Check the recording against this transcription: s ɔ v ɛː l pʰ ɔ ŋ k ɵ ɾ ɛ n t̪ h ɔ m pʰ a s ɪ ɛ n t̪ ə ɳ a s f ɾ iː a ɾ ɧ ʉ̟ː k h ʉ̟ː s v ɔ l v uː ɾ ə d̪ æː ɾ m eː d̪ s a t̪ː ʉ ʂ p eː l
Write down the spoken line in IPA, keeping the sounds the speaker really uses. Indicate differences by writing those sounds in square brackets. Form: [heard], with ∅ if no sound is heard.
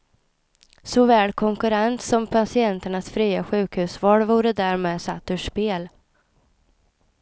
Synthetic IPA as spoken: s ɔ v ɛː l [kʰ] ɔ ŋ k ɵ ɾ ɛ n t̪ [s] ɔ m pʰ a s ɪ ɛ n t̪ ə ɳ a s f ɾ iː a [∅] ɧ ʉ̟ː k h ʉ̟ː s v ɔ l v uː ɾ ə d̪ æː ɾ m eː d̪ s a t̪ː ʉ ʂ p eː l